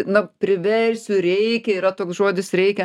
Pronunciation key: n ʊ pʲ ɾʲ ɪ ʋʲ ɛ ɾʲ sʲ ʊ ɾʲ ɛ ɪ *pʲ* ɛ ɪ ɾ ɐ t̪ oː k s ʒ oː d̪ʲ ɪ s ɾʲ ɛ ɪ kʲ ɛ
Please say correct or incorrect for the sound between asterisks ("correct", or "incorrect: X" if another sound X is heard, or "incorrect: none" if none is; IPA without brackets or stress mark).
incorrect: kʲ